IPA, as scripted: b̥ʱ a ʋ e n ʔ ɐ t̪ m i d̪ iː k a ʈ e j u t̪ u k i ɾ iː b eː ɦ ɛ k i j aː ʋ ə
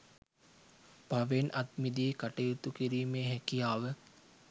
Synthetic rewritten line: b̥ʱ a ʋ e n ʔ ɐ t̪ m i d̪ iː k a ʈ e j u t̪ u k i ɾ iː m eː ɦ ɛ k i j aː ʋ ə

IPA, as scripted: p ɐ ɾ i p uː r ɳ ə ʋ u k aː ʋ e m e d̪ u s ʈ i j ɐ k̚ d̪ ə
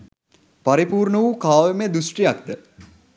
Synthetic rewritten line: p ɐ ɾ i p uː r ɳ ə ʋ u k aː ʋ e m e d̪ u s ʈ i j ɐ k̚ d̪ ə

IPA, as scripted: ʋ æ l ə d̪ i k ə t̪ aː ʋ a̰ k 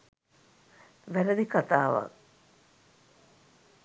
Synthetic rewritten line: ʋ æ ɾ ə d̪ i k a t̪ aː ʋ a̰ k

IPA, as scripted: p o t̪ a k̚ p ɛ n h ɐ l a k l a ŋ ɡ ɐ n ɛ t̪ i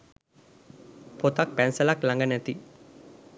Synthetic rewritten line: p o t̪ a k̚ p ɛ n s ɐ l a k l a ŋ ɡ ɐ n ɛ t̪ i

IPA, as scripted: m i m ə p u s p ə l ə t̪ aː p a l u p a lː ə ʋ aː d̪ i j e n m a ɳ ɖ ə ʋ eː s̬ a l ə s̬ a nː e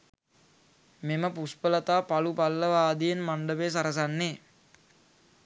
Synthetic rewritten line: m e m ə p u s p ə l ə t̪ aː p a l u p a lː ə ʋ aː d̪ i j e n m a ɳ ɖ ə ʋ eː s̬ a ɾ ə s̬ a nː e

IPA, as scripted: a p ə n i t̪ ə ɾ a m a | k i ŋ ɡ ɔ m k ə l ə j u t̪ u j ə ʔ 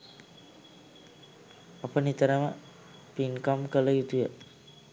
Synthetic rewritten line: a p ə n i t̪ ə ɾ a m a | p i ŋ k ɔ m k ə l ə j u t̪ u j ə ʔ

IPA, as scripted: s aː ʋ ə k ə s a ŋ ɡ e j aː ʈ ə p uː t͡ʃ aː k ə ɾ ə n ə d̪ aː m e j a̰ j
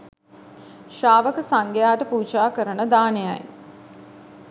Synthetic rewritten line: ʃ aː ʋ ə k ə s a ŋ ɡ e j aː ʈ ə p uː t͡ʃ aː k ə ɾ ə n ə d̪ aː n e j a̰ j

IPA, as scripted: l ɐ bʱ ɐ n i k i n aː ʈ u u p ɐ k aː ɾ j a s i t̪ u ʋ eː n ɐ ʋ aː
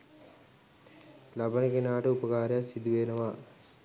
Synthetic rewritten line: l ɐ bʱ ɐ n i k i n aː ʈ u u p ɐ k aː ɾ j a s i d̪ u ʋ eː n ɐ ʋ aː

